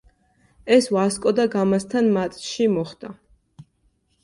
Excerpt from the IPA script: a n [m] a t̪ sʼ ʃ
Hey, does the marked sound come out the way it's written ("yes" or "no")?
yes